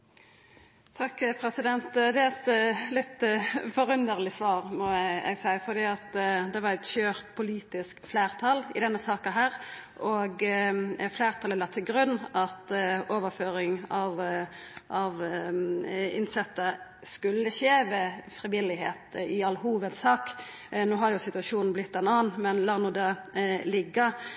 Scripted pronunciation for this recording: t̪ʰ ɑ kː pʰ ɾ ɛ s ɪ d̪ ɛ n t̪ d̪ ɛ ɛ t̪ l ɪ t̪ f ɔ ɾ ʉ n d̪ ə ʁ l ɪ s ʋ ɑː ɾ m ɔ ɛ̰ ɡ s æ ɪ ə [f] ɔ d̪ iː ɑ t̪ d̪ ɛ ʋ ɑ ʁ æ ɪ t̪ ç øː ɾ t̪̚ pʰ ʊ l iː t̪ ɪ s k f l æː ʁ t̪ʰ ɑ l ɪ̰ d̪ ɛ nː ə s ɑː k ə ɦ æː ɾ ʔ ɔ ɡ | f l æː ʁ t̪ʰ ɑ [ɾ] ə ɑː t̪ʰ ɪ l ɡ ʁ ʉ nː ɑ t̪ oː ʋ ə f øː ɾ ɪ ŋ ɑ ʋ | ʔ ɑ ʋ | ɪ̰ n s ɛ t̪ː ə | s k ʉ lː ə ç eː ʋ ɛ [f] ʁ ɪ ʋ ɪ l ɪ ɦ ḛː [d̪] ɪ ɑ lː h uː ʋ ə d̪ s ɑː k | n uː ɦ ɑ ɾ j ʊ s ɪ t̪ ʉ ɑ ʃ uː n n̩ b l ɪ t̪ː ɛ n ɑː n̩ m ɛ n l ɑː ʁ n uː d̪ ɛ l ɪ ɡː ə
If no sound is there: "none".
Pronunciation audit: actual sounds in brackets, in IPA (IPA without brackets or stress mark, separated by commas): f, l, f, t̪